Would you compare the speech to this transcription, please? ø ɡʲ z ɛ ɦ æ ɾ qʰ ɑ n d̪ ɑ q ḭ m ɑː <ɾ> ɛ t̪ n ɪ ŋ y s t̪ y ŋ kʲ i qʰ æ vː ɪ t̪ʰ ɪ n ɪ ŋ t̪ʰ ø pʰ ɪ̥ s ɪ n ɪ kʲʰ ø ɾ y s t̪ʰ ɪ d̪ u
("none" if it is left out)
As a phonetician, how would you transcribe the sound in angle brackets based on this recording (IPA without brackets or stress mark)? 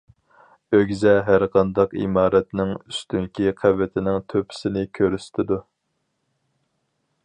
ɾ